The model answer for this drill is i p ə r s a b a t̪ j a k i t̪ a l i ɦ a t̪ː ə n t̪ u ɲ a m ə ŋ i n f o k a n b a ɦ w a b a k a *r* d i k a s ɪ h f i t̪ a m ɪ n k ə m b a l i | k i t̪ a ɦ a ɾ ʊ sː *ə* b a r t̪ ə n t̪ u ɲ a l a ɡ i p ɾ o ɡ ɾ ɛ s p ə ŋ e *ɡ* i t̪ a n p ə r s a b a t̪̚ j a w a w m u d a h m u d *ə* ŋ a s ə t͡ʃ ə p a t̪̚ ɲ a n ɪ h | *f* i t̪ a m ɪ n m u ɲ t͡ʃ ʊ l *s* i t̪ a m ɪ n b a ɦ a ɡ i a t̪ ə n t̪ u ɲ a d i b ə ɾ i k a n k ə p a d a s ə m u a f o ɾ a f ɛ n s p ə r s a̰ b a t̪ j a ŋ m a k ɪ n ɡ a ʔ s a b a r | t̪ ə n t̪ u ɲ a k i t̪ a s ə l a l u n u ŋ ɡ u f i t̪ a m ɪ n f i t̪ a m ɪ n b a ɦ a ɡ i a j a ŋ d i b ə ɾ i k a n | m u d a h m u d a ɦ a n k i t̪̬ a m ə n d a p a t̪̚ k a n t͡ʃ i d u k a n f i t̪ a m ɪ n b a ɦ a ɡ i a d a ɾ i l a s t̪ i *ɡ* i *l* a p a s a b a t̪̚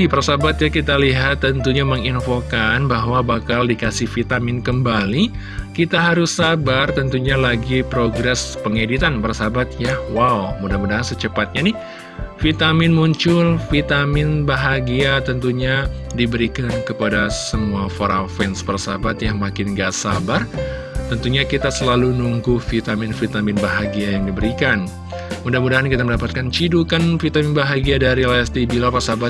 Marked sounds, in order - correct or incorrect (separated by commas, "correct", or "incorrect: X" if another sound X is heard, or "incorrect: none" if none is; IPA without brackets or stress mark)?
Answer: incorrect: l, incorrect: a, incorrect: d, incorrect: a, correct, incorrect: f, incorrect: b, correct